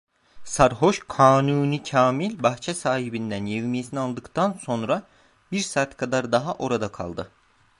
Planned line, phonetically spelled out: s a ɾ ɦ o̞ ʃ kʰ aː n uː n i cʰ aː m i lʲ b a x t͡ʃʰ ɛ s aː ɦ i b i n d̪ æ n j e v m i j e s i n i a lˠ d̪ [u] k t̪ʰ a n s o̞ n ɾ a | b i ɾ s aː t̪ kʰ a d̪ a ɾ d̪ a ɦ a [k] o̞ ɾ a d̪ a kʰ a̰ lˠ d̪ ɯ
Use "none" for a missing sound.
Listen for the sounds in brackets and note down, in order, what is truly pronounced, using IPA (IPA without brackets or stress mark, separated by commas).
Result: ɯ, ʔ